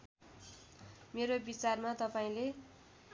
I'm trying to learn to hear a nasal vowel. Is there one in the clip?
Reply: yes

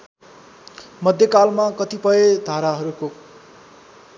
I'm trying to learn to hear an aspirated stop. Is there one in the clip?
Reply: no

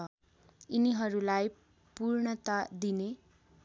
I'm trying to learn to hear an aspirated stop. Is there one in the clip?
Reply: no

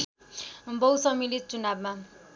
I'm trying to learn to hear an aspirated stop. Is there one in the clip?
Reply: no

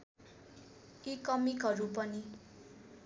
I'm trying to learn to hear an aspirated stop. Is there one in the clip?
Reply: no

